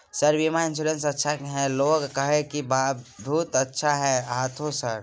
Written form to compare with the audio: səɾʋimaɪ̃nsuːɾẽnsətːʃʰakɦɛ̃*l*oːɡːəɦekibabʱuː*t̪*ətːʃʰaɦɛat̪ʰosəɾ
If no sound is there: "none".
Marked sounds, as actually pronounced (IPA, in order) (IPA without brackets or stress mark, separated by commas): l, t̪